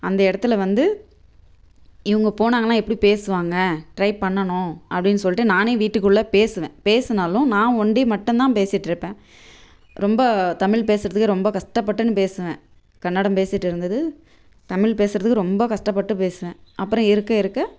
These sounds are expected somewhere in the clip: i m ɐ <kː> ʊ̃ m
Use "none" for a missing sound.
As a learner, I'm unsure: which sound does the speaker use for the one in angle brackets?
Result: ʈː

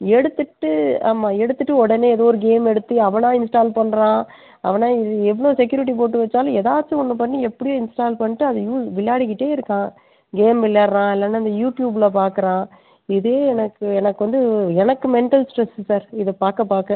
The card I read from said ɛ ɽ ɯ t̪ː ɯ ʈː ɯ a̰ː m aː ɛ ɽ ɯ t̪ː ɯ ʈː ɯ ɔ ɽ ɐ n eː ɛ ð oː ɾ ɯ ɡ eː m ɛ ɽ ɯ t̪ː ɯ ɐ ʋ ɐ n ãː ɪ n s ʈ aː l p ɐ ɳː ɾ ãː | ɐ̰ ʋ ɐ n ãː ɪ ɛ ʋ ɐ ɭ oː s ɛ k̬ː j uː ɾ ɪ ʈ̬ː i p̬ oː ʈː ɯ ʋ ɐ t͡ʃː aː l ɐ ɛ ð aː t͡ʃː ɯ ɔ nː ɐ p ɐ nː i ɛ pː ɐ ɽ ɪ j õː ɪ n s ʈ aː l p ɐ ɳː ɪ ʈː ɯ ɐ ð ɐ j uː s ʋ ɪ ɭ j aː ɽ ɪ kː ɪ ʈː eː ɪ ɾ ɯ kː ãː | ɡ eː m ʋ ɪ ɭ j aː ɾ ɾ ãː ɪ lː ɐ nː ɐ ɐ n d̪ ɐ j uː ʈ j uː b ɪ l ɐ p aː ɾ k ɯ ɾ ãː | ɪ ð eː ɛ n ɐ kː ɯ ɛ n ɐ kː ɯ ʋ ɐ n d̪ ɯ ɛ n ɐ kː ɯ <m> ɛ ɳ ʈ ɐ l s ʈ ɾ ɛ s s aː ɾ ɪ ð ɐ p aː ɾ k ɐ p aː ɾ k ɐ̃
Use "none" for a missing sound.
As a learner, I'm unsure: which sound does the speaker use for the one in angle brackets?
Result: m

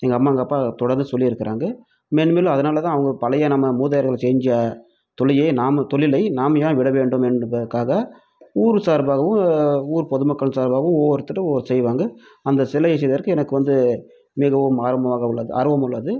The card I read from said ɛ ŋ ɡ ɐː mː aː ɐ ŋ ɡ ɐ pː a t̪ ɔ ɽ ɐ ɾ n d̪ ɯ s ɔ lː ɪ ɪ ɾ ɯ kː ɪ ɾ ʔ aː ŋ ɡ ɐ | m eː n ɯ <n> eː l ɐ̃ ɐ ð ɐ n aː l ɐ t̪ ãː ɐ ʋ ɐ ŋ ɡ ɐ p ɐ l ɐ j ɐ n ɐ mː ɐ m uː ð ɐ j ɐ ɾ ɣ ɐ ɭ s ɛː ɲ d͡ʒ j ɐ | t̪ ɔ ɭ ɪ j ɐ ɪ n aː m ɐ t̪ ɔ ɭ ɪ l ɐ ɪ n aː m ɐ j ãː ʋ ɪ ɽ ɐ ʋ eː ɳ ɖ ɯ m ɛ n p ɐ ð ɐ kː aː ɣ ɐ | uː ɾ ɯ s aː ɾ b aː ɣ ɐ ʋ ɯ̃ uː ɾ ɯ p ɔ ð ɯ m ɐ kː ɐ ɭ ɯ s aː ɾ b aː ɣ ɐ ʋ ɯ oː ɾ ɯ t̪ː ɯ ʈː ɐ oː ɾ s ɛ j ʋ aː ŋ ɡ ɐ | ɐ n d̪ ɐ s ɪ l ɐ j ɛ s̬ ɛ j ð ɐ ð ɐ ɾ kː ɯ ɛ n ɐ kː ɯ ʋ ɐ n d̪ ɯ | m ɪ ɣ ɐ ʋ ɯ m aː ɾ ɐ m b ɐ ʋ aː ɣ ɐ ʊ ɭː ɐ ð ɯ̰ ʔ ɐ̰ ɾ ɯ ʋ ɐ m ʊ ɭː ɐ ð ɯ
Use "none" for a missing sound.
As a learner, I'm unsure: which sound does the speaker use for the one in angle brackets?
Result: m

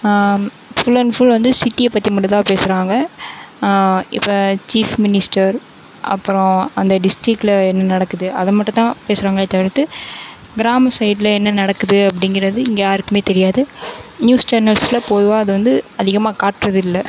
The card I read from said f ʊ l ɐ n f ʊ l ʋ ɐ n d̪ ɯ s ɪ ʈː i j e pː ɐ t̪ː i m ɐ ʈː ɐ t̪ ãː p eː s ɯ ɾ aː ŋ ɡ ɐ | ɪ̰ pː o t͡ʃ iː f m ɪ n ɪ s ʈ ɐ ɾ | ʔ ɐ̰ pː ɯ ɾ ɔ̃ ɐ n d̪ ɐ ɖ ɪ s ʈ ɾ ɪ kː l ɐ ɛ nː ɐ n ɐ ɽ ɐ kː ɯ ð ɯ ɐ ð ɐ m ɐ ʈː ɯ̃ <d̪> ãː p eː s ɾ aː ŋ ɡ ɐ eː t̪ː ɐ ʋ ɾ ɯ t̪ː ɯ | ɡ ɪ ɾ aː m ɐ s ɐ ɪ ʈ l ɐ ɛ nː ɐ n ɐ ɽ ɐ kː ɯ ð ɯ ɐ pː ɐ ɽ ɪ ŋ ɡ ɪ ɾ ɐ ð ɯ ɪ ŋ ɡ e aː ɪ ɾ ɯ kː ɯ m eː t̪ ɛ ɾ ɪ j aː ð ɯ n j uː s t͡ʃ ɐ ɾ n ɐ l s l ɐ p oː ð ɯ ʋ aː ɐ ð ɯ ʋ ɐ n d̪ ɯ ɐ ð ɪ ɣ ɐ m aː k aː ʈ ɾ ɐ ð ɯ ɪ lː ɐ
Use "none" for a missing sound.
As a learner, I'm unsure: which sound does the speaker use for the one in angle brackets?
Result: t̪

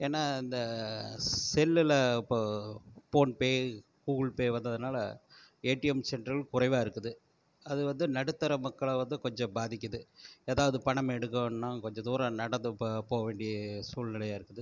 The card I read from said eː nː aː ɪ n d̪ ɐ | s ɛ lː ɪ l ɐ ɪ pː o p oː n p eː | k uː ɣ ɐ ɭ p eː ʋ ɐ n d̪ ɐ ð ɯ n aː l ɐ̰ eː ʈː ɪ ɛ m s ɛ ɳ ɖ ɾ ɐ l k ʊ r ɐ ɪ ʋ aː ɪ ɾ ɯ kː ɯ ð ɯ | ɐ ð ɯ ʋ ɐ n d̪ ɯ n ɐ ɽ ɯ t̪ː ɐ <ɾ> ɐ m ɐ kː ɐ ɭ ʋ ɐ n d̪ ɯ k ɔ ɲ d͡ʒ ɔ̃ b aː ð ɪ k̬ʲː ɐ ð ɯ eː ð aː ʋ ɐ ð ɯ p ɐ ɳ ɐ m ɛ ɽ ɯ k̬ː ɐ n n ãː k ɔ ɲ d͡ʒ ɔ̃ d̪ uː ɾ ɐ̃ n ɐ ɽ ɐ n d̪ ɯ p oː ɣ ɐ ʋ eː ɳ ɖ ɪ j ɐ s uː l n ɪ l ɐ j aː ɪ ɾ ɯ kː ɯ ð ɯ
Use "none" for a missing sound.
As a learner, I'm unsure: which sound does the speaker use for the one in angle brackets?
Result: ɾ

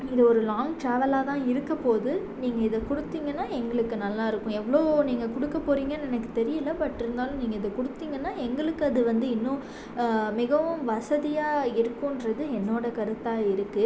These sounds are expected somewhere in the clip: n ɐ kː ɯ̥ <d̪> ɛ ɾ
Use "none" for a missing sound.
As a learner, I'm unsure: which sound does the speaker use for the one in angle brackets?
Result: t̪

